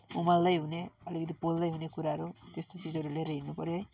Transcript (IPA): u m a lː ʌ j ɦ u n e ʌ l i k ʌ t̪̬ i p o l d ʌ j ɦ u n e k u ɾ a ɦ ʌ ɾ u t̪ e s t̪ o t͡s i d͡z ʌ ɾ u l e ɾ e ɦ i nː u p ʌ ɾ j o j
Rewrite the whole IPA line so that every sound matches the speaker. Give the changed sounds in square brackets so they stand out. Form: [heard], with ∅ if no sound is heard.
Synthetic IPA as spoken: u m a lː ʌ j ɦ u n e ʌ l i k ʌ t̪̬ i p o l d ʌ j ɦ u n e k u ɾ a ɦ ʌ ɾ u t̪ e s t̪ o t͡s i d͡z ʌ ɾ u l e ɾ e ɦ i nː u p ʌ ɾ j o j

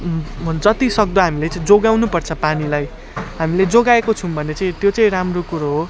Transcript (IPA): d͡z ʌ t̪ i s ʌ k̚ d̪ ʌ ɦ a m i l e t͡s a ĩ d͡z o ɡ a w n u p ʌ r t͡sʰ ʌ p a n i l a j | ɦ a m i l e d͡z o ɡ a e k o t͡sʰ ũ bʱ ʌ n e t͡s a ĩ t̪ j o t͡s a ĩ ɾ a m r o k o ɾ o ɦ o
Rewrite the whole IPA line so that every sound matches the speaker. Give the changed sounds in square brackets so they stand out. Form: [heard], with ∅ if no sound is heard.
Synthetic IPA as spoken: d͡z ʌ t̪ i s ʌ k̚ d̪ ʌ ɦ a m i l e t͡s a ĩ d͡z o ɡ a w n u p ʌ r t͡sʰ ʌ p a n i l a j | ɦ a m i l e d͡z o ɡ a e k o t͡sʰ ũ bʱ ʌ n e t͡s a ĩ t̪ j o t͡s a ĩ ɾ a m r o k [u] ɾ o ɦ o

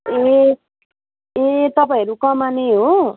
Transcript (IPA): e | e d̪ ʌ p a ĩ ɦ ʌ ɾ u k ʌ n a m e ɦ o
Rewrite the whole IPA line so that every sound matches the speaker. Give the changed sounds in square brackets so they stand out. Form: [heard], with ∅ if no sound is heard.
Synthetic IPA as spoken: e | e [t̪] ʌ p a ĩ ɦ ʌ ɾ u k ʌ [m] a [n] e ɦ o

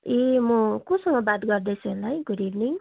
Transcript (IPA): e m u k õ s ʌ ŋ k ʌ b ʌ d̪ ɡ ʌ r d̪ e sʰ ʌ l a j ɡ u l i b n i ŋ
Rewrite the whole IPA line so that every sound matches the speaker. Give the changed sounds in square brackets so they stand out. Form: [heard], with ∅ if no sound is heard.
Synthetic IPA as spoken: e m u k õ s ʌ ŋ [ɡ] ʌ b [a] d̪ ɡ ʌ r d̪ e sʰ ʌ l a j ɡ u [ɾ] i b n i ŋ

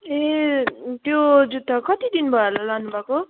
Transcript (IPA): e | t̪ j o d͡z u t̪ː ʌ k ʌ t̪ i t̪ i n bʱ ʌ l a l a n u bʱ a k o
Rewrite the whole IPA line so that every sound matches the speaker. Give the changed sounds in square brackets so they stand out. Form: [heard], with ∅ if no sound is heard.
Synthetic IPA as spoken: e | t̪ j o d͡z u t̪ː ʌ k ʌ t̪ i [d̪] i n bʱ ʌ l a l a n u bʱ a k o

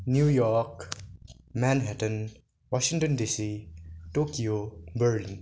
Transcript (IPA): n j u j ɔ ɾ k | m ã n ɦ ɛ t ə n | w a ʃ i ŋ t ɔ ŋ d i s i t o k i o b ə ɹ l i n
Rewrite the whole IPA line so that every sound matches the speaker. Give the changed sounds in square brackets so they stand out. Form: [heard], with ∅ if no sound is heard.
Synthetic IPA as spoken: n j u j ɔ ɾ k | m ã n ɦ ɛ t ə n | w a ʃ i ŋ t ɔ [n] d i s i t o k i o b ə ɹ l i n

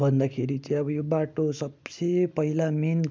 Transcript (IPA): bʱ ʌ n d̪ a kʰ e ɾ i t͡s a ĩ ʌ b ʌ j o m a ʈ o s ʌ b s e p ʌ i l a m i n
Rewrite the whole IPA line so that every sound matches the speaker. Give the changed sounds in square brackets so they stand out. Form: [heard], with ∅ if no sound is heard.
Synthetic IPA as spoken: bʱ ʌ n d̪ a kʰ e ɾ i t͡s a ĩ ʌ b ʌ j o [b] a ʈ o s ʌ b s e p ʌ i l a m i n

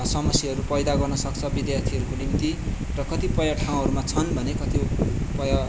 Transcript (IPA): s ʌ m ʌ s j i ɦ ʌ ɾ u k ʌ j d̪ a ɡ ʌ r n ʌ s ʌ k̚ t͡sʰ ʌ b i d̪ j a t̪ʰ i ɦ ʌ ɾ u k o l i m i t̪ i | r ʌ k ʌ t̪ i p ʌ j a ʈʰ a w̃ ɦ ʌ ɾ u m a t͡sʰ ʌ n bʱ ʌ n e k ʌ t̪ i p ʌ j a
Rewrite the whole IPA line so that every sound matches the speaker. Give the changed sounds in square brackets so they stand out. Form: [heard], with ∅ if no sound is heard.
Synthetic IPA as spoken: s ʌ m ʌ s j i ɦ ʌ ɾ u [p] ʌ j d̪ a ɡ ʌ r n ʌ s ʌ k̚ t͡sʰ ʌ b i d̪ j a t̪ʰ i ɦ ʌ ɾ u k o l i m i t̪ i | r ʌ k ʌ t̪ i p ʌ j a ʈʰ a w̃ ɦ ʌ ɾ u m a t͡sʰ ʌ n bʱ ʌ n e k ʌ t̪ i p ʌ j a

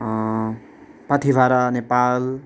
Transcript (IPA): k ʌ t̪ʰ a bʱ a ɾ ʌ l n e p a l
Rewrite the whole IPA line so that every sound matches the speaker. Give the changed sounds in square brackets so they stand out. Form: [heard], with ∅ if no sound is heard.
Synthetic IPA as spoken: [p] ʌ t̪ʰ [i] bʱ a ɾ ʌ [∅] n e p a l

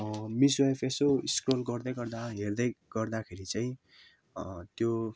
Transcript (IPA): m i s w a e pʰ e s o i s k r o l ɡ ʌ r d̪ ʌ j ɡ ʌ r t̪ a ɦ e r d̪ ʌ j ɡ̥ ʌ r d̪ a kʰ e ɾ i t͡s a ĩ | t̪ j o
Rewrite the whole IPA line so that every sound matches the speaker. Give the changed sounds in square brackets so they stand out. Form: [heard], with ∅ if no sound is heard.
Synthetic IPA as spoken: m i s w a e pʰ e s o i s k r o l ɡ ʌ r d̪ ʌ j ɡ ʌ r [d̪] a ɦ e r d̪ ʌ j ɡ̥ ʌ r d̪ a kʰ e ɾ i t͡s a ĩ | t̪ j o

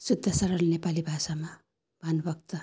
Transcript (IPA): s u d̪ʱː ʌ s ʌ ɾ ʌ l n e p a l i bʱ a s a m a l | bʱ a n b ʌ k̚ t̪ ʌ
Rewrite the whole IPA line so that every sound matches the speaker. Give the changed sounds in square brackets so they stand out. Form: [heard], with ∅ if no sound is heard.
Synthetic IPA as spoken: s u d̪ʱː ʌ s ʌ ɾ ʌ l n e p a l i bʱ a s a m a [∅] | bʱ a n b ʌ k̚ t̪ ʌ

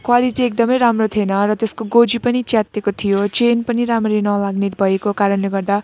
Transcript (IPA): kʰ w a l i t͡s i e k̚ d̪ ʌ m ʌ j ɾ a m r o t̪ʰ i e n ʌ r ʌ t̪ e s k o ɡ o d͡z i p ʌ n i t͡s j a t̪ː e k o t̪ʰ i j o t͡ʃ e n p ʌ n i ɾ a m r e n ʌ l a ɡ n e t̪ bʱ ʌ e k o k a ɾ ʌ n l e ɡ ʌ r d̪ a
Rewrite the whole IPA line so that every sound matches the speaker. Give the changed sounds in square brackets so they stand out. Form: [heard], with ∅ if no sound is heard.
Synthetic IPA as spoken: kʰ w a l i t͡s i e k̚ d̪ ʌ m ʌ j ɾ a m r o t̪ʰ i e n ʌ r ʌ t̪ e s k o ɡ o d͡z i p ʌ n i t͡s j a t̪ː e k o t̪ʰ i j o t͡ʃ e n p ʌ n i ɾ a m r e n ʌ l a ɡ n e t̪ bʱ ʌ e k o k a ɾ ʌ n l e ɡ ʌ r d̪ a

